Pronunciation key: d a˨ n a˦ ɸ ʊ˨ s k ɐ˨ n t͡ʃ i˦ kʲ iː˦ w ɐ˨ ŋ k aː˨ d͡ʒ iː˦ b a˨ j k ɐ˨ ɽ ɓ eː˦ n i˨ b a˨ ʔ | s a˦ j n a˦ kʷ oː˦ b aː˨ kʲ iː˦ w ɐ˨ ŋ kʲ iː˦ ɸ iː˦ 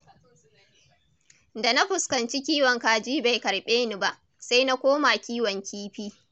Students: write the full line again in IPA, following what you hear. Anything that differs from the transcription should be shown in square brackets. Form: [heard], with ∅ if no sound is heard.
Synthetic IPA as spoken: d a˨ n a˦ ɸ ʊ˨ s k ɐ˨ n t͡ʃ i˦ kʲ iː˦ w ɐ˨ ŋ k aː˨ d͡ʒ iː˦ b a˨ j k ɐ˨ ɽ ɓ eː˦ n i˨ b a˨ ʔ | s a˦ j n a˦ kʷ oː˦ [m] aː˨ kʲ iː˦ w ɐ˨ ŋ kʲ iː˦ ɸ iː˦